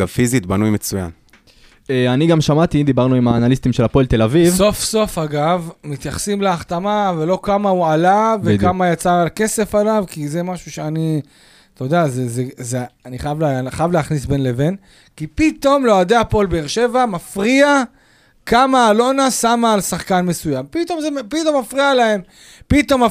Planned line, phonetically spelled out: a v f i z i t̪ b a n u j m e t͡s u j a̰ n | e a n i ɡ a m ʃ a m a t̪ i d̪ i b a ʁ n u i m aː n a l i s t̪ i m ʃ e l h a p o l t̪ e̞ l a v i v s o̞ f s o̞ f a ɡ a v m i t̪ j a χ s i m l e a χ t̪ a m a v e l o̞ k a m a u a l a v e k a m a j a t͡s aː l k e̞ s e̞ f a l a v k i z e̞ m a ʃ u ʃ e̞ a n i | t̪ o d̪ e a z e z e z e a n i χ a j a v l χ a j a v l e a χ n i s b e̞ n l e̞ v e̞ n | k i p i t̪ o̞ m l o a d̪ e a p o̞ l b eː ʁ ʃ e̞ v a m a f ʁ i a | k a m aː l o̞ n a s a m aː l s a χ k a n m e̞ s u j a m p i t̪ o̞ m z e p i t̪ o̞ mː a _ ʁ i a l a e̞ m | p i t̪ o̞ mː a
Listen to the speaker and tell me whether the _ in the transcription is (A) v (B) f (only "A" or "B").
B